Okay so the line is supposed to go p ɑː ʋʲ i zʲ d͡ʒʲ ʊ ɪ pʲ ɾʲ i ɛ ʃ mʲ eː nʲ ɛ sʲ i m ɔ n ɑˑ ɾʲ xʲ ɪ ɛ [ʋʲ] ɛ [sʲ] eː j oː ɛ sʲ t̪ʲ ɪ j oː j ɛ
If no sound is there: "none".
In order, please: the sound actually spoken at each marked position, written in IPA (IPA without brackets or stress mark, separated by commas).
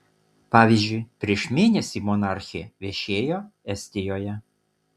ʋʲ, ʃʲ